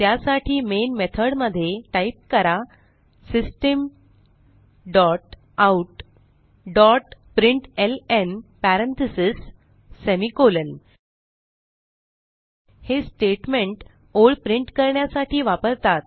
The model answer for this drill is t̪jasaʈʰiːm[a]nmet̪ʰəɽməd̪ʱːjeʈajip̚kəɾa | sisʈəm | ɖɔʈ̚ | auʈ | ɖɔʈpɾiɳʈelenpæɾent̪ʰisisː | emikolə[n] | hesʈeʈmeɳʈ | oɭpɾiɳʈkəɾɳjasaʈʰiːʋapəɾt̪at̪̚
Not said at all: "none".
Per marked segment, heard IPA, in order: e, n

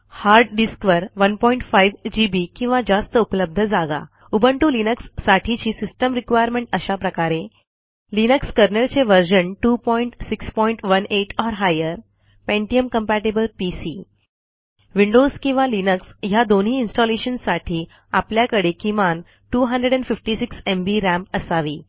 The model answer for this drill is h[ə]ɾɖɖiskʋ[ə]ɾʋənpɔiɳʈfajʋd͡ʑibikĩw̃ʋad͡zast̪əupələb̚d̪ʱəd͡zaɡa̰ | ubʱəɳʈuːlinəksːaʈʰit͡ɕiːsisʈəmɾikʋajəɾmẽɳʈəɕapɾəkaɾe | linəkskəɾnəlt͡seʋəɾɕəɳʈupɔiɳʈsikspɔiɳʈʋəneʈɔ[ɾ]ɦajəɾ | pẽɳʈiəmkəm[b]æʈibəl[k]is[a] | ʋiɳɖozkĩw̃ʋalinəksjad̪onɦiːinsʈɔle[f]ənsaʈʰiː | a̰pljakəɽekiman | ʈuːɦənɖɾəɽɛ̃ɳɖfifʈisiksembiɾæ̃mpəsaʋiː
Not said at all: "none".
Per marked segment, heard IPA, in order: a, ə, ɾ, p, p, i, ɕ

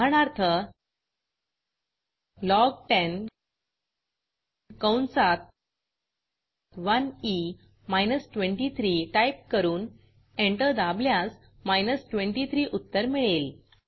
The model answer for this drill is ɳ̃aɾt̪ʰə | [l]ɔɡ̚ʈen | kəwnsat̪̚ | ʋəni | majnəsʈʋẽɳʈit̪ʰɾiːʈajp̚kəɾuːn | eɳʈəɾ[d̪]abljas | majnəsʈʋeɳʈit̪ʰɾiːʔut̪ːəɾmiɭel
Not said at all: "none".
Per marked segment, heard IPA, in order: l, d̪

